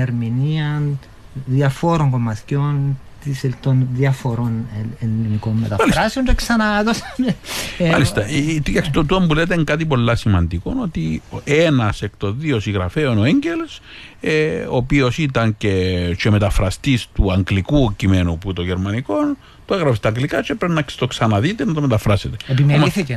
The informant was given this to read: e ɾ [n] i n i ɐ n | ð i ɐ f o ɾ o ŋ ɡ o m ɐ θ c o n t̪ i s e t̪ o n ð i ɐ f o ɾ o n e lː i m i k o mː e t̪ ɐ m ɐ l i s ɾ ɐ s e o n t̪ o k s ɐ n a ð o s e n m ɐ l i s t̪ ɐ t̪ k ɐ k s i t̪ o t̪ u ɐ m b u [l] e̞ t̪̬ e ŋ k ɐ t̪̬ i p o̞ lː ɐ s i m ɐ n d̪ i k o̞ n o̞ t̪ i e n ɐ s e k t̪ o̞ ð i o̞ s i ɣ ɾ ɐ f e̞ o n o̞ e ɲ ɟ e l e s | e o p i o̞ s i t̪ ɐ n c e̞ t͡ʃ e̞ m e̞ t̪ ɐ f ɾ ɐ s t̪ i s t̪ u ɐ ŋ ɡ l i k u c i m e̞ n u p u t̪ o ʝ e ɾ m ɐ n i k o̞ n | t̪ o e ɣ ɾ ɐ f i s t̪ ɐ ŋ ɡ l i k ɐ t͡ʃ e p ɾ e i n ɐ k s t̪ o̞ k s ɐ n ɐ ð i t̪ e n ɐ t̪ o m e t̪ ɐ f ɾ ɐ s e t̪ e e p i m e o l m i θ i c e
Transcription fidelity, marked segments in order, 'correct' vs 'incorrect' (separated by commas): incorrect, correct